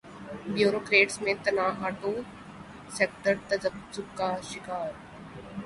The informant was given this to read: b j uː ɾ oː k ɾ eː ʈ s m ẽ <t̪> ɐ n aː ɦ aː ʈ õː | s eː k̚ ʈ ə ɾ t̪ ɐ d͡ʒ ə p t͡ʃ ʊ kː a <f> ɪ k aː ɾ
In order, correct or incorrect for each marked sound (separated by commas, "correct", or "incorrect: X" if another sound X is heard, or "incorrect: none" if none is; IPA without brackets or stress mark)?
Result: correct, incorrect: ʃ